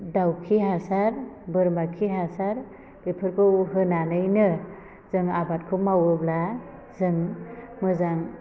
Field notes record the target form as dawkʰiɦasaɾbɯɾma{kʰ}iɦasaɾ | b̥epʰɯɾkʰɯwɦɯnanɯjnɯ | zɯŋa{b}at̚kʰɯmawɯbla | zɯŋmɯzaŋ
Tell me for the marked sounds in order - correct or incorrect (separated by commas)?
correct, correct